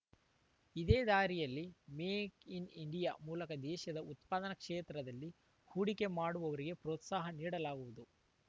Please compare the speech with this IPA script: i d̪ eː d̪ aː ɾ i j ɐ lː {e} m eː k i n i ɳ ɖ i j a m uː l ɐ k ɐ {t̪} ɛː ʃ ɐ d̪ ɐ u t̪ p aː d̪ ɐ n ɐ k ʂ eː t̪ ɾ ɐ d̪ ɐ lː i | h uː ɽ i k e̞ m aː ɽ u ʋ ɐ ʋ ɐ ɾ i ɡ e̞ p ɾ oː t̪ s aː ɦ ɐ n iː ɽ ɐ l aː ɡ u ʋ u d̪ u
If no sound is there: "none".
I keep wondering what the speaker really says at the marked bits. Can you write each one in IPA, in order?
i, d̪

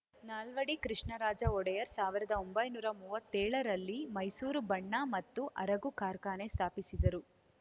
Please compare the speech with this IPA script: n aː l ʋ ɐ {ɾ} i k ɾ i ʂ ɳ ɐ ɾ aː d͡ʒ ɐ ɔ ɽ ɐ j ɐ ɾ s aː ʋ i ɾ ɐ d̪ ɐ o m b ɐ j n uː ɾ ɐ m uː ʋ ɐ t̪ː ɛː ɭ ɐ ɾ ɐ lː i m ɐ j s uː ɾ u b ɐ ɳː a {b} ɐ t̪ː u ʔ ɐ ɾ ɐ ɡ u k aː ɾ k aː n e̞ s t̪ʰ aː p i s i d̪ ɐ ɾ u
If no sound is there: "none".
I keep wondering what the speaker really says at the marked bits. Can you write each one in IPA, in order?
ɽ, m

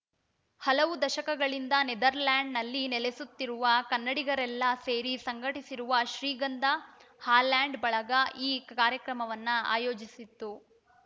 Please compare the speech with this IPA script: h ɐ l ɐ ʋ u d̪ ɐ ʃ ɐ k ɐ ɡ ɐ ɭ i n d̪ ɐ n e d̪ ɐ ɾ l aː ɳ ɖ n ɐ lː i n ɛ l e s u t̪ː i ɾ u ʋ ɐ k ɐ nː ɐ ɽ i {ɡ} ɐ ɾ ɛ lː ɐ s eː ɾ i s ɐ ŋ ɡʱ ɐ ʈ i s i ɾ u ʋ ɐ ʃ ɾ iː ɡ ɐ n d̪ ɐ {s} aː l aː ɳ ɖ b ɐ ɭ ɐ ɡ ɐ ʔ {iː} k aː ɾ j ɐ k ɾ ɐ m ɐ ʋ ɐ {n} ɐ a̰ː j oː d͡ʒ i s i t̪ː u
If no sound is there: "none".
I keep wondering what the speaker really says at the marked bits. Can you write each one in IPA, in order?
ɡ, h, iː, nː

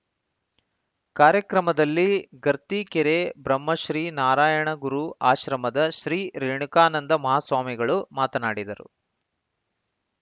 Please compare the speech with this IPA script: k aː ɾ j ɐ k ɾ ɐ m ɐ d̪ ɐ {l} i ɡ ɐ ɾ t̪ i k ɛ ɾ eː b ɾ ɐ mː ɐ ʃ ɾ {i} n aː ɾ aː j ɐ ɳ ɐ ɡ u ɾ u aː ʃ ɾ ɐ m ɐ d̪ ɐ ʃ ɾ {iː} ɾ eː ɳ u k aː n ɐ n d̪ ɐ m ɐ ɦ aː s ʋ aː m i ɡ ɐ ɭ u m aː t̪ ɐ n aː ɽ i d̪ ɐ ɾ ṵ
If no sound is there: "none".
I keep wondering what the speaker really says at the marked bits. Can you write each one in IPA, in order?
lː, iː, iː

